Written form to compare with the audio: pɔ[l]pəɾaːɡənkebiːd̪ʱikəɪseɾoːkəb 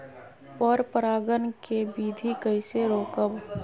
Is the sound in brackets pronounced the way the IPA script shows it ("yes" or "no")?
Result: no